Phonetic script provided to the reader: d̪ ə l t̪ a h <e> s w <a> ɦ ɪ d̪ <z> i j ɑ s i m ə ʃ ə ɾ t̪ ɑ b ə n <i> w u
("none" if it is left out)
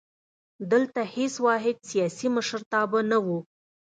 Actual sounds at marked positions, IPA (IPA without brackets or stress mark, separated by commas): e, ɑ, s, a